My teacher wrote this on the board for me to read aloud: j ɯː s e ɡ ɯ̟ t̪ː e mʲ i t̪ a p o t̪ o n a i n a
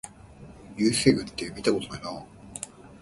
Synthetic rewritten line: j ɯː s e ɡ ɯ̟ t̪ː e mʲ i t̪ a k o t̪ o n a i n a